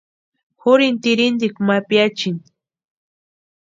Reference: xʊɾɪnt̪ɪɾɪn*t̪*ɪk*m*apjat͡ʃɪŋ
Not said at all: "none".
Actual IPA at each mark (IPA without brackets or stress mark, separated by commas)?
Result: d̪, m